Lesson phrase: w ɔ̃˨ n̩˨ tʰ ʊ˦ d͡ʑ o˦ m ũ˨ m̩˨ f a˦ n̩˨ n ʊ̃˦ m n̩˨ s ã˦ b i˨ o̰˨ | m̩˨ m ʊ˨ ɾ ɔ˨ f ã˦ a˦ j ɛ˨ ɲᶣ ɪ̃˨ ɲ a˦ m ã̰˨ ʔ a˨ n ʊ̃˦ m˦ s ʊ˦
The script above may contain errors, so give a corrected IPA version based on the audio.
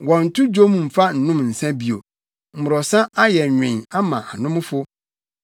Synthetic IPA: w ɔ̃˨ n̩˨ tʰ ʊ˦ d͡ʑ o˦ m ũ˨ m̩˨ f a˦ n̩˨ n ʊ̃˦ m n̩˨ s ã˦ b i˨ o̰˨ | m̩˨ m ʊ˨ ɾ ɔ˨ s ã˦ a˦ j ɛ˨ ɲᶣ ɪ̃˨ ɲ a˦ m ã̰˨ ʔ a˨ n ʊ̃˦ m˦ f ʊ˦